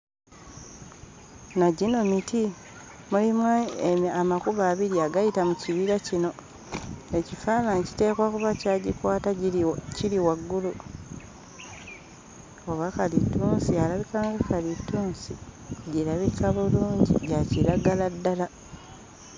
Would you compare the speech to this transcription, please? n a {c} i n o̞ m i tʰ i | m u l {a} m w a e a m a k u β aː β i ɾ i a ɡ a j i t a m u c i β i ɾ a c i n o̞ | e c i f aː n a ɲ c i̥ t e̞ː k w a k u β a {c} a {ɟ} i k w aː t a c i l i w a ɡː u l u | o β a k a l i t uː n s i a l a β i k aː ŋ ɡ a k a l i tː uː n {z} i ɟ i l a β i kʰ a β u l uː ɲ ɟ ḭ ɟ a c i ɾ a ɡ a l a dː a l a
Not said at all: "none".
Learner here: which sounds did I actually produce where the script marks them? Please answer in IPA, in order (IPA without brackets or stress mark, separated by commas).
ɟ, i, c, ɟ, s